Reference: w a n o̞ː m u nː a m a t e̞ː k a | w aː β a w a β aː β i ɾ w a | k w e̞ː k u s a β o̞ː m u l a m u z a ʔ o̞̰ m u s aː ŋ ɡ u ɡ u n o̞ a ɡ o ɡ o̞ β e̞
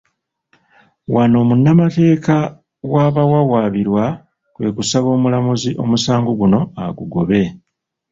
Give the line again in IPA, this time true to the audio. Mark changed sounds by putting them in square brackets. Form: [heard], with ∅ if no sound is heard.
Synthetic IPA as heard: w a n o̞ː m u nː a m a t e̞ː k a | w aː β a w a [w] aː β i ɾ w a | k w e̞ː k u s a β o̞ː m u l a m u z [i] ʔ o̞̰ m u s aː ŋ ɡ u ɡ u n o̞ a ɡ [u] ɡ o̞ β e̞